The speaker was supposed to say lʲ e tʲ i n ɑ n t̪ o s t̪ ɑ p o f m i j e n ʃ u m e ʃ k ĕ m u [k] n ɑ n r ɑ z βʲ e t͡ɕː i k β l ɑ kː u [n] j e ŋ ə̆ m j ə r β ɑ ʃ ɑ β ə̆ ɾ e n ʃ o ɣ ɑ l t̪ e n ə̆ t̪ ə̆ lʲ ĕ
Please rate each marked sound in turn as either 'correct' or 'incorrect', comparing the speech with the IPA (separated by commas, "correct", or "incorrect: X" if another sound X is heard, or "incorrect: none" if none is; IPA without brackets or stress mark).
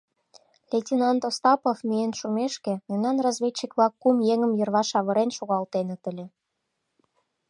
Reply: incorrect: none, incorrect: m